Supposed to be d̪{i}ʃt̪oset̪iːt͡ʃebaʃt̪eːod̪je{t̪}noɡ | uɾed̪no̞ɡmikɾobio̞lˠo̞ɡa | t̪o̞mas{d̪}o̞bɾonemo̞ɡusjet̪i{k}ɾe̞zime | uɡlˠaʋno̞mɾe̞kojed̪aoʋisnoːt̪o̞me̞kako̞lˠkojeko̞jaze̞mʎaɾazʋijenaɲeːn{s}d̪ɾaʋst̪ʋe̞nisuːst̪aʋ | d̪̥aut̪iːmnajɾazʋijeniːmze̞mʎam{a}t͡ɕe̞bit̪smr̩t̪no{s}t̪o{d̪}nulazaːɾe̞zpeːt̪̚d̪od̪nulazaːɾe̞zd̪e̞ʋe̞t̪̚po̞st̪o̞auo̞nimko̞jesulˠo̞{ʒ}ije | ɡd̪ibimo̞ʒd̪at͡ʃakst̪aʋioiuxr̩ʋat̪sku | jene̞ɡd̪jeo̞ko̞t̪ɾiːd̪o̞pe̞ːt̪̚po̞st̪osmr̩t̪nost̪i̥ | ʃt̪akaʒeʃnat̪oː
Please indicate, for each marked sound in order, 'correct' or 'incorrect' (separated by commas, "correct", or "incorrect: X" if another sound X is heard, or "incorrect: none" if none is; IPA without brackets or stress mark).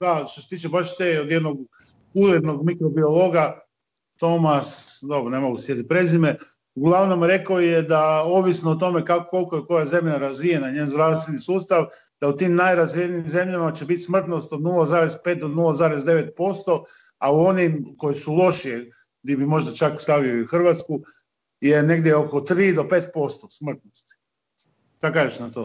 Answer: incorrect: a, incorrect: d̪, correct, incorrect: p, incorrect: z, correct, correct, correct, incorrect: ʃ